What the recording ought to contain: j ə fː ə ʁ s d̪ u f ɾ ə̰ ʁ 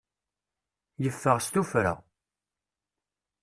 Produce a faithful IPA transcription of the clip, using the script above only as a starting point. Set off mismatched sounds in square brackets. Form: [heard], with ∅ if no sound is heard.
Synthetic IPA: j ə fː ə ʁ s [t̪] u f ɾ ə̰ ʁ